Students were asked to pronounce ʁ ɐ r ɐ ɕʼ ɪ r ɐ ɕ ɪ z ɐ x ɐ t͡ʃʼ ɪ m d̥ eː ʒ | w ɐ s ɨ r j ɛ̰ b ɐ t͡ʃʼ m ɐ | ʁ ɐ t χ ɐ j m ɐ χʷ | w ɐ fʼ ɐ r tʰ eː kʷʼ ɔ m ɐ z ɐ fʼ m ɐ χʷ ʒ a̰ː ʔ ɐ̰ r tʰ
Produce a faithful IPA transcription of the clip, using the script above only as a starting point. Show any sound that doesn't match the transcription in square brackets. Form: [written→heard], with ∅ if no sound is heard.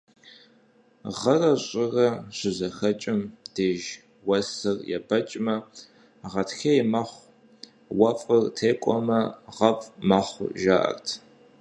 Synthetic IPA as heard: ʁ ɐ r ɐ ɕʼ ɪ r ɐ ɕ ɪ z ɐ x ɐ t͡ʃʼ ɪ m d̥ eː ʒ | w ɐ s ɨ r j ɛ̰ b ɐ t͡ʃʼ m ɐ | ʁ ɐ t [χ→x] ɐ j m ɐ χʷ | w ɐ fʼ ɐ r tʰ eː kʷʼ ɔ m ɐ [z→ʁ] ɐ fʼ m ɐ χʷ ʒ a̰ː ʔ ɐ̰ r tʰ